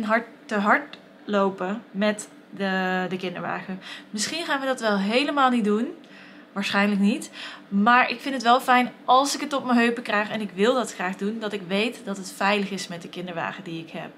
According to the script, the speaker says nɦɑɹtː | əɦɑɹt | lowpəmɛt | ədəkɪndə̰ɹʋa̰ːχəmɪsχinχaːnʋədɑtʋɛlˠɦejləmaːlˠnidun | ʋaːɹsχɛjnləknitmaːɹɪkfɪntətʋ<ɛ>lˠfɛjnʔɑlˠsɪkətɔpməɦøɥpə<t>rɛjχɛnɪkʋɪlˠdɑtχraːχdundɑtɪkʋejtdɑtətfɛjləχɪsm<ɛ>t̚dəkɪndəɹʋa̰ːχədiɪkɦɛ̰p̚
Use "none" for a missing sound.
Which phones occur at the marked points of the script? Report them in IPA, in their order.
ɛ, k, ɛ

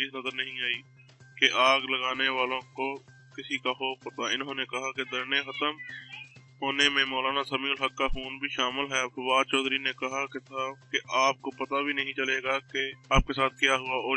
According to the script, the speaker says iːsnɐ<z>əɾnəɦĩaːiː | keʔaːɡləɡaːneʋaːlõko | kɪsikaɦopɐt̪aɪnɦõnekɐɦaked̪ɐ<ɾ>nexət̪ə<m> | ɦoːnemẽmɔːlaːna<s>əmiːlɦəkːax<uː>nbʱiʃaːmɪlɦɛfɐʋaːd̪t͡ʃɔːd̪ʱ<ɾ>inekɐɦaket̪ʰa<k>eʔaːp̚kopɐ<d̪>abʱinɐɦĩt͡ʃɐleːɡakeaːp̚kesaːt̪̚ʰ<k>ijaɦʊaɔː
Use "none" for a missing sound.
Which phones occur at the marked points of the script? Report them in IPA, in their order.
z, ɾ, m, s, uː, ɾ, k, t̪, k

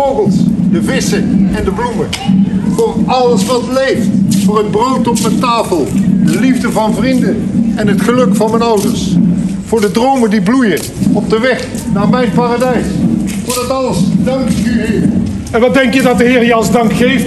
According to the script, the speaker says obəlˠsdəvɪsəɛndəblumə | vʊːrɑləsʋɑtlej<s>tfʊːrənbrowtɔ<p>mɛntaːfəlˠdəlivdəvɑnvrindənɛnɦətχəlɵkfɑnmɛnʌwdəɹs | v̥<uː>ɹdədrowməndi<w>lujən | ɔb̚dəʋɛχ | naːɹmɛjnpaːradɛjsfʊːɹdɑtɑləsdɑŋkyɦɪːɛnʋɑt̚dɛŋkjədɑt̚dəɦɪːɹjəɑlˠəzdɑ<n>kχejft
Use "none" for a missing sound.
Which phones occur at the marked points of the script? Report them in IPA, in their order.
f, p, ʊː, b, ŋ

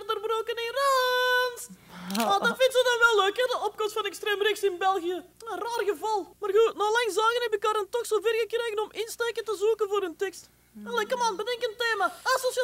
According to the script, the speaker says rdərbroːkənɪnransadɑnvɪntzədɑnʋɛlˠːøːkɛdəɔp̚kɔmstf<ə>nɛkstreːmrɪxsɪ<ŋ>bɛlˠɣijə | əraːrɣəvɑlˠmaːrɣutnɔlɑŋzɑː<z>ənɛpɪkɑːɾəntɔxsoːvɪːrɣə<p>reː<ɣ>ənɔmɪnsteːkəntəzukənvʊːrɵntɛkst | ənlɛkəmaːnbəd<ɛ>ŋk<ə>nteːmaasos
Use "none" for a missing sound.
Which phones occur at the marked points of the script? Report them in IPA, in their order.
ɑ, n, ɣ, k, ɣ, ɛ, ə

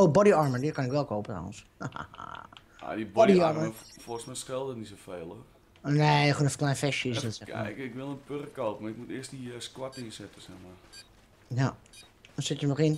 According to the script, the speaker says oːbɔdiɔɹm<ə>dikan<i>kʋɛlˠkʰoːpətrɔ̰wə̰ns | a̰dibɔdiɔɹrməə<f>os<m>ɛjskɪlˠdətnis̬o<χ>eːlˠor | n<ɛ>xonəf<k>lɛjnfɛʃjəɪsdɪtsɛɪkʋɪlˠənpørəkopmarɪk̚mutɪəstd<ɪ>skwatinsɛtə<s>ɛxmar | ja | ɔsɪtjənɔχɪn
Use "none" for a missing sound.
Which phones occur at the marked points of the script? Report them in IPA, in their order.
ə, ɪ, f, m, f, e, k, i, s

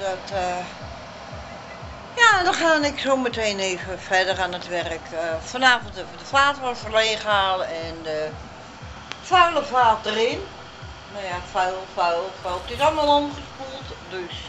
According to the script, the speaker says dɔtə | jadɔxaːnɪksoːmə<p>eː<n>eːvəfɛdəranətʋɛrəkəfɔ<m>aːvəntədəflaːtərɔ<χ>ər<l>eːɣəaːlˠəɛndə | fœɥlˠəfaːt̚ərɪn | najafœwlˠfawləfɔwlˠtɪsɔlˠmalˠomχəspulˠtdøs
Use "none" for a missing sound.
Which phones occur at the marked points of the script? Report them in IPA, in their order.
t, n, n, f, l

